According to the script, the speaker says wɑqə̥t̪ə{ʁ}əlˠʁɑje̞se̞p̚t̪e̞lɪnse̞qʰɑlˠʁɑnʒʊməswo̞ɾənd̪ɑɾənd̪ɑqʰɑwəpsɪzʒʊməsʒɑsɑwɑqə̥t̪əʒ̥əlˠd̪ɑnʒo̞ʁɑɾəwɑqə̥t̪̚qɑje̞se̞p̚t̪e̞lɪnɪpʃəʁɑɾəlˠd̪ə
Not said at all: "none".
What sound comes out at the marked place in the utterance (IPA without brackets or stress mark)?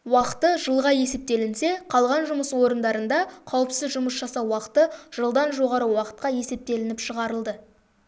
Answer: ʒ